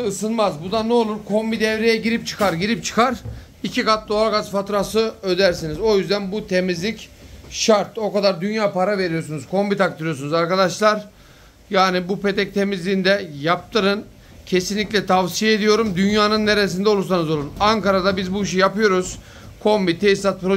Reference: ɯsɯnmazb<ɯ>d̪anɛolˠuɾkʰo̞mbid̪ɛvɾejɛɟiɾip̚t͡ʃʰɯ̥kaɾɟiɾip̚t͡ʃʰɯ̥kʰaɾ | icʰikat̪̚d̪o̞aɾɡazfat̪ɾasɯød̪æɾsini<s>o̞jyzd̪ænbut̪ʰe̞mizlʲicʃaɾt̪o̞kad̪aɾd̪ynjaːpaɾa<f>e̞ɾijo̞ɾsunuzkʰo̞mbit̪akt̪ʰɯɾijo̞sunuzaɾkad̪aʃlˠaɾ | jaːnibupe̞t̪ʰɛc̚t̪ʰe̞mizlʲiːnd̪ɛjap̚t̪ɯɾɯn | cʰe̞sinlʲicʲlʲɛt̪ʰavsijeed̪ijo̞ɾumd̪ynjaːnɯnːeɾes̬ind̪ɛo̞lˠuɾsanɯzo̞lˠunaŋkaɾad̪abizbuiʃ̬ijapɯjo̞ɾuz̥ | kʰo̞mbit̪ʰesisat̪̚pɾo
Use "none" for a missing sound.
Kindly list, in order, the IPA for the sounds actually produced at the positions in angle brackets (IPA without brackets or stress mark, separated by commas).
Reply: u, z, v